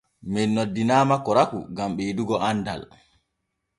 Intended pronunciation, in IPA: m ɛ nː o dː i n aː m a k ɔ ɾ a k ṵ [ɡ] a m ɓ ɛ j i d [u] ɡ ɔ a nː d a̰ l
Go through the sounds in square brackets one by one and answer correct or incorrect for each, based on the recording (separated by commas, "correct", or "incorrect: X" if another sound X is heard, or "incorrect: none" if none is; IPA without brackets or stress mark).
correct, correct